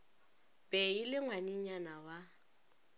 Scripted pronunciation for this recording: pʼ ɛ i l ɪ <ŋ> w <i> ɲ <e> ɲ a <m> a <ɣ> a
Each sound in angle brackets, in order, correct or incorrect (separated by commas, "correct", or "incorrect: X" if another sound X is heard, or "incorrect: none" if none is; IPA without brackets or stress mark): correct, incorrect: a, incorrect: i, incorrect: n, incorrect: w